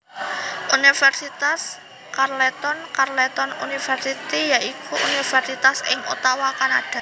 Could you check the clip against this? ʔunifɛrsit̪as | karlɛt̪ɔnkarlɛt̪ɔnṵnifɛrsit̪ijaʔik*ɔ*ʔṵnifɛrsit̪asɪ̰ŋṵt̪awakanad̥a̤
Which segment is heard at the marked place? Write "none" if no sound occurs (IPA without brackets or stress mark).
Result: u